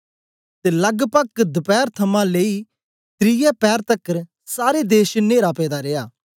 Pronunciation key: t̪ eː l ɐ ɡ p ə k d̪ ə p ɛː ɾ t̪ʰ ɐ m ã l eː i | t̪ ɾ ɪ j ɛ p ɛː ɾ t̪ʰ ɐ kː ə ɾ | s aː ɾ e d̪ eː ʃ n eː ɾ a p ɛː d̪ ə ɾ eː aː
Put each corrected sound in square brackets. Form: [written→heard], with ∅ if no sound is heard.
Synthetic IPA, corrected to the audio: t̪ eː l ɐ ɡ p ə k d̪ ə p ɛː ɾ t̪ʰ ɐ m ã l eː i | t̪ ɾ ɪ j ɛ p ɛː ɾ [t̪ʰ→t̪] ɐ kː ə ɾ | s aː ɾ e d̪ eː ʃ n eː ɾ a p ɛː d̪ [ə→a] ɾ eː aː

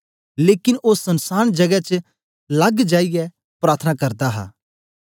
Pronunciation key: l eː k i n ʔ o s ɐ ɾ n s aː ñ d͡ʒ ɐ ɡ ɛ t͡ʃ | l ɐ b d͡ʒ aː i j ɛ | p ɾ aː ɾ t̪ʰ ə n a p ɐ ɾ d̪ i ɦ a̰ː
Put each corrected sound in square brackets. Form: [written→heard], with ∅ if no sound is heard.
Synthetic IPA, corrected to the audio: l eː k [i→ɪ] n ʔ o s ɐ [ɾ→∅] n s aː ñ d͡ʒ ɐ ɡ ɛ t͡ʃ | l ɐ [b→ɡ] d͡ʒ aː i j ɛ | p ɾ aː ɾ t̪ʰ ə n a [p→k] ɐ ɾ d̪ [i→a] ɦ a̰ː

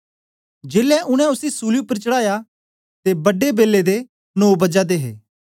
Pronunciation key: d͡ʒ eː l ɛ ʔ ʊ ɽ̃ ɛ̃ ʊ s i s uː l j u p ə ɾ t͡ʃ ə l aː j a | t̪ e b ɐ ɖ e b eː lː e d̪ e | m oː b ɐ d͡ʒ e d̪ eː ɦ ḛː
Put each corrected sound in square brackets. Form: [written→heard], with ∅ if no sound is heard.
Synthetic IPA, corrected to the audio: d͡ʒ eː l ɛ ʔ ʊ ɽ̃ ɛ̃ ʊ s i s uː l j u p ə ɾ t͡ʃ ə [l→ɽ] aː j a | t̪ e b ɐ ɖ e b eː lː e d̪ e | [m→n] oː b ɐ d͡ʒ [e→a] d̪ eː ɦ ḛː

